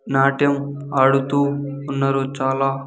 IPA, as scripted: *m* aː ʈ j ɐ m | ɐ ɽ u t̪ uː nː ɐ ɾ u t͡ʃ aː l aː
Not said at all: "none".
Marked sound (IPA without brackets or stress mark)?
n